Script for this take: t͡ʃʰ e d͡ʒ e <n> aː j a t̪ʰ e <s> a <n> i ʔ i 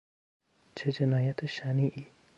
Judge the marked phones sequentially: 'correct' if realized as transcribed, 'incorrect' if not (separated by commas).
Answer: correct, incorrect, correct